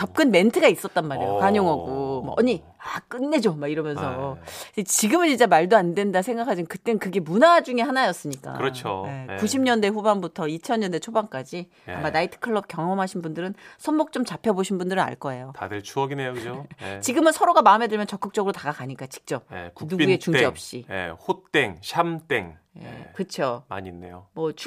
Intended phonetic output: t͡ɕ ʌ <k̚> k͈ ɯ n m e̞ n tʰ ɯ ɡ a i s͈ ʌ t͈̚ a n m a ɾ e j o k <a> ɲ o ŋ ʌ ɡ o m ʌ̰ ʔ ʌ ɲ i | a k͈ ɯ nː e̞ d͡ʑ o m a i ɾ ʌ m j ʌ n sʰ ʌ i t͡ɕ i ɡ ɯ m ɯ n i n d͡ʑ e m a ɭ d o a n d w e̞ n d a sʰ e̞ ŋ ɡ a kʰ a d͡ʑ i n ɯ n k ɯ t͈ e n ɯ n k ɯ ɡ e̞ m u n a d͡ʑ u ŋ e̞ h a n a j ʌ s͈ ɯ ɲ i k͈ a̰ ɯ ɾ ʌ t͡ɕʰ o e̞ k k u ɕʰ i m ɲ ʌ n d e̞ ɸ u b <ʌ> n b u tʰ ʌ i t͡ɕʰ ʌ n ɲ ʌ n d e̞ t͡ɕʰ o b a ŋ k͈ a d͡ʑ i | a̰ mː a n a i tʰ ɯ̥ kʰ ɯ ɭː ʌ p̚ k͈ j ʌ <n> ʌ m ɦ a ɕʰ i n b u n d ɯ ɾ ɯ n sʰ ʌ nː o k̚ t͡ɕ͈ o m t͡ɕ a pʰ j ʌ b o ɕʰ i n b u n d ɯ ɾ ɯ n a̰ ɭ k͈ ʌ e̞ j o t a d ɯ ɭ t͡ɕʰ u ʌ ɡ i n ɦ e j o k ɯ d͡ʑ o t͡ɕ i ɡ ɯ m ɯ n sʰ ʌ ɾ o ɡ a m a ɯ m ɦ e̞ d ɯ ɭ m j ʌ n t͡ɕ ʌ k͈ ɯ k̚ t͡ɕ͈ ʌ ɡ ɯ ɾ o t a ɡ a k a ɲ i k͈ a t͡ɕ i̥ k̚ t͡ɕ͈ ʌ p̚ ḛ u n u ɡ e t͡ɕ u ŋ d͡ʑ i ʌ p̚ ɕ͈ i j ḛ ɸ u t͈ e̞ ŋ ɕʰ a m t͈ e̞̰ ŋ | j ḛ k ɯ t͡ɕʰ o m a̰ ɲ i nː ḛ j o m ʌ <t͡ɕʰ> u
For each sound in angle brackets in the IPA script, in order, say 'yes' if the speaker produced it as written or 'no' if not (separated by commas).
no, yes, no, no, yes